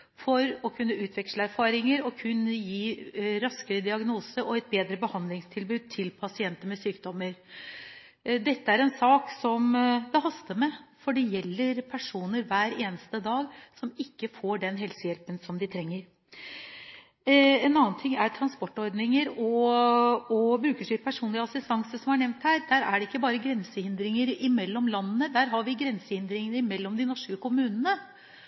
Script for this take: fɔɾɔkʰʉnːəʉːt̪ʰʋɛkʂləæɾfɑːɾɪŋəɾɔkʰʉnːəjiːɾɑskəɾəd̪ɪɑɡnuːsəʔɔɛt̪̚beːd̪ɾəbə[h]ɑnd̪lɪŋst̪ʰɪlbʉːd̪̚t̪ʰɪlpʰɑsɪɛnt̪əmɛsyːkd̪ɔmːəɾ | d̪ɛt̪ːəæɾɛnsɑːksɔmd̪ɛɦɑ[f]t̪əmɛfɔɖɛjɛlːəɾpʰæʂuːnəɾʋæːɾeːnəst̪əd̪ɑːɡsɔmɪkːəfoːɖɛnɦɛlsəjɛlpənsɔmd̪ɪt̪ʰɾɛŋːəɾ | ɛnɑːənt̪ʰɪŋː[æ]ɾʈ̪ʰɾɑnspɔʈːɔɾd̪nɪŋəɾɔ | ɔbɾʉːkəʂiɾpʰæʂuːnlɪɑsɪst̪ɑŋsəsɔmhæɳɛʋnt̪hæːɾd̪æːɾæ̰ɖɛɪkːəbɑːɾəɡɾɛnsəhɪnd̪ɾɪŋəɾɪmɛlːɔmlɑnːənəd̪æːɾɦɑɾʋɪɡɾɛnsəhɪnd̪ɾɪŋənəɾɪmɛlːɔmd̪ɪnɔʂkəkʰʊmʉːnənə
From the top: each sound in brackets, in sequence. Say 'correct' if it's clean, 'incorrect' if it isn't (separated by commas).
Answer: correct, incorrect, correct